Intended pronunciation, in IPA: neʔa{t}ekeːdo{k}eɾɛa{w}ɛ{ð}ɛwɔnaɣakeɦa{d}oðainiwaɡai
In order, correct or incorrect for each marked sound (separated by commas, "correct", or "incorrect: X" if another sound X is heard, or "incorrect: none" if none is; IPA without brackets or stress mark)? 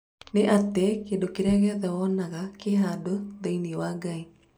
correct, correct, incorrect: ɣ, correct, correct